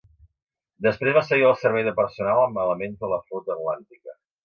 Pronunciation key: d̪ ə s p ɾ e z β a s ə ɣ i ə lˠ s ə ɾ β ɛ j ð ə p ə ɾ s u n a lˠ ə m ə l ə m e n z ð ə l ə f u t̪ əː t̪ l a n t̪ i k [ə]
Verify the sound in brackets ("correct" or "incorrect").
correct